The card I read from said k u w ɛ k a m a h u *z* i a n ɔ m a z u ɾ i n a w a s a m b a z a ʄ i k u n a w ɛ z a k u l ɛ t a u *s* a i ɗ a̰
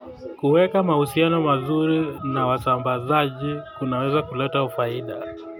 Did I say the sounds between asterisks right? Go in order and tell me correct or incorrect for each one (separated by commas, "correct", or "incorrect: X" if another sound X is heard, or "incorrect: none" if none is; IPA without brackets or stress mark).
incorrect: s, incorrect: f